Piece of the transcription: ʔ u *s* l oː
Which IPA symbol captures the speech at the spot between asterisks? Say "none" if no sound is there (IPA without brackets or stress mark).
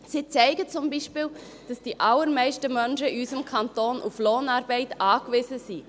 f